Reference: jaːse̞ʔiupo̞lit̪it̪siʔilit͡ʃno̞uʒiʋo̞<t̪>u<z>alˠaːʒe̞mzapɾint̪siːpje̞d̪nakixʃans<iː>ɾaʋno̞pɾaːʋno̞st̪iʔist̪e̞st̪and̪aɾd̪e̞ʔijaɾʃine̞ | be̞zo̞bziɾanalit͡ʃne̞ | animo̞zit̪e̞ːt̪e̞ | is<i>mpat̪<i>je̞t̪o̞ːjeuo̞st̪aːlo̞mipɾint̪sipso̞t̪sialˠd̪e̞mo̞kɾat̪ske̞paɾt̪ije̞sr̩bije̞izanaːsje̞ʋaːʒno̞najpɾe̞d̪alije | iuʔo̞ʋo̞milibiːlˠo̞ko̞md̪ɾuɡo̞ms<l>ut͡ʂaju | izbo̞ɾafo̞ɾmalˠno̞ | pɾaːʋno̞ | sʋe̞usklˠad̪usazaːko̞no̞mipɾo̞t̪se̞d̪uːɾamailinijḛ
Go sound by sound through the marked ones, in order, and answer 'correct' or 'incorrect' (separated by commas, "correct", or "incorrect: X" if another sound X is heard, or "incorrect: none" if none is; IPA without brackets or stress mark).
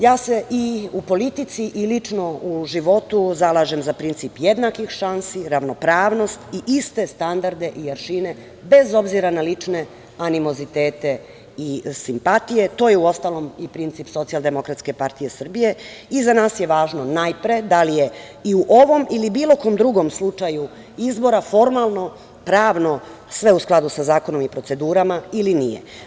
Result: correct, correct, incorrect: i, correct, correct, correct